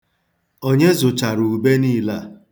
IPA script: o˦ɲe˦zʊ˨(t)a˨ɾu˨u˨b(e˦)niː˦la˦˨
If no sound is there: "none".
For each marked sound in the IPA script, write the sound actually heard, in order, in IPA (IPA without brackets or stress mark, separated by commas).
t͡ʃ, e˦